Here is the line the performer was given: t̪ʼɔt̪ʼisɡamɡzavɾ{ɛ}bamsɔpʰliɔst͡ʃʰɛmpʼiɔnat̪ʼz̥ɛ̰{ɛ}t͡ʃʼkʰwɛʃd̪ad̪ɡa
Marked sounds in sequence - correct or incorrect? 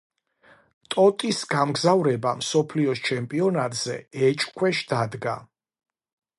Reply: correct, correct

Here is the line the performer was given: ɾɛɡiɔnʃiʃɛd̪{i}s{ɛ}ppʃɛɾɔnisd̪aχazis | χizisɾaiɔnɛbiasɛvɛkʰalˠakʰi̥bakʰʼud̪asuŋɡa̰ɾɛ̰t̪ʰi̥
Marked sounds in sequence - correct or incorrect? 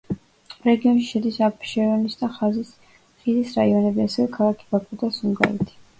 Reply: correct, incorrect: a

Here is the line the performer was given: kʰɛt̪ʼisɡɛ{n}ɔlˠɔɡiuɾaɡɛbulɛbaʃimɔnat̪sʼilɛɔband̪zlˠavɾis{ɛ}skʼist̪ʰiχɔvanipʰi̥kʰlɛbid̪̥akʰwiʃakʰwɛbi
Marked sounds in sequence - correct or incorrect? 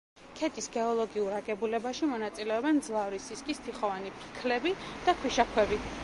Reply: incorrect: none, incorrect: i

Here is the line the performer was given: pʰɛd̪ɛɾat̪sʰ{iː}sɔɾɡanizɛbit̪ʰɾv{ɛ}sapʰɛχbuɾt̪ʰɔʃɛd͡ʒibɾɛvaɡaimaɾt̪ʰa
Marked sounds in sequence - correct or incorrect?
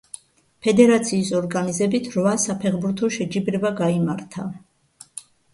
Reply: correct, incorrect: a

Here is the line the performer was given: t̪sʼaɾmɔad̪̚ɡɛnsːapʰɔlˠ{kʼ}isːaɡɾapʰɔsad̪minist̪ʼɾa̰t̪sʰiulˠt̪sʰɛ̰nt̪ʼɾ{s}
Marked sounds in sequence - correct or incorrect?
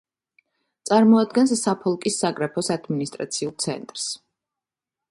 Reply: correct, correct

